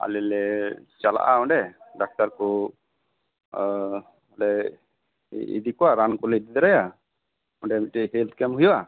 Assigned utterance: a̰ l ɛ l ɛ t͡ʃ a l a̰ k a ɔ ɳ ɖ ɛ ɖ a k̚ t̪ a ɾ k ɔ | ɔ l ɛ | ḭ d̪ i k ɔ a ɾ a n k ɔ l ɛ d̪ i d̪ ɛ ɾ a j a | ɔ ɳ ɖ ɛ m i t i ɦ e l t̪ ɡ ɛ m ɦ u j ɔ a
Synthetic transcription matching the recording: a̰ l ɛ l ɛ t͡ʃ a l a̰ ʔ a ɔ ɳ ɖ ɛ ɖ a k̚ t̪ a ɾ k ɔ | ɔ l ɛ | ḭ d̪ i k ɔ a ɾ a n k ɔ l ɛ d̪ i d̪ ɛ ɾ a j a | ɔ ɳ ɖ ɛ m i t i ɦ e l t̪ k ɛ m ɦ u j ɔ a